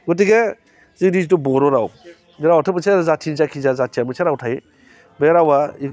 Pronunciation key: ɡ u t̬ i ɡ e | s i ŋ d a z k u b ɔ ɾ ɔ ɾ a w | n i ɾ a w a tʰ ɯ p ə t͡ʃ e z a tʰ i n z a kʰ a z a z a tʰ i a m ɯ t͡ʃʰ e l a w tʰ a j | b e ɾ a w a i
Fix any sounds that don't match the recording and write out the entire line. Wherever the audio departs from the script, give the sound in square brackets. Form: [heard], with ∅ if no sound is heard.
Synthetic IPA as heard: ɡ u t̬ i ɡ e | [z] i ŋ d [i] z [t] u b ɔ ɾ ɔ ɾ a w | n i ɾ a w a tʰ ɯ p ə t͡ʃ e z a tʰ i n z a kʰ [i] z a z a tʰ i a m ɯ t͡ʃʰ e [ɾ] a w tʰ a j | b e ɾ a w a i